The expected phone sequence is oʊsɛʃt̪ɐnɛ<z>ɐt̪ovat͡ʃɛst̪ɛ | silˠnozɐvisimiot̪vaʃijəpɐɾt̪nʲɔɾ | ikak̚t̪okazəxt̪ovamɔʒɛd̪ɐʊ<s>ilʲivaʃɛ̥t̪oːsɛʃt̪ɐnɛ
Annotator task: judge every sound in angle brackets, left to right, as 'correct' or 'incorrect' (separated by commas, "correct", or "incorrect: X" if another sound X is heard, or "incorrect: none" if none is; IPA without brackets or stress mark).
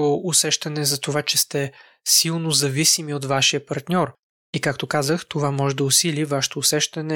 correct, correct